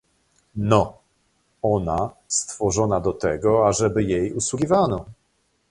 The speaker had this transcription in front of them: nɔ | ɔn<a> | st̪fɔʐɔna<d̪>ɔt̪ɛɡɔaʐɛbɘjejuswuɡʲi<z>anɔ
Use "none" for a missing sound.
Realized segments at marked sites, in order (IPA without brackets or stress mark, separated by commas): a, d̪, v